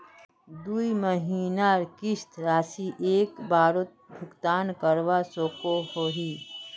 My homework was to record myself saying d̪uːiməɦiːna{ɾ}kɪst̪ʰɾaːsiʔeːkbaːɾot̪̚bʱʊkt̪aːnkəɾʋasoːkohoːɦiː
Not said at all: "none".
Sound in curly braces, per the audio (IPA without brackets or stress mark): ɾ